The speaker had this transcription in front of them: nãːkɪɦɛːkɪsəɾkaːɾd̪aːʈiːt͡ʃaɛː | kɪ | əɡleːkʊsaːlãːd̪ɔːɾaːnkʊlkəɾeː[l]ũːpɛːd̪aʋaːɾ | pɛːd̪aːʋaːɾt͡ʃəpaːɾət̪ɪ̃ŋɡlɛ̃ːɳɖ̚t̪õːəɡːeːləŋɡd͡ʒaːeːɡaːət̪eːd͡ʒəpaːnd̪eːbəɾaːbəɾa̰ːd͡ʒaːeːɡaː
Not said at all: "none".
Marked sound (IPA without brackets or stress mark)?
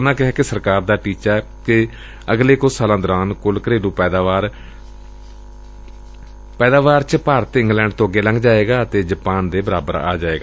l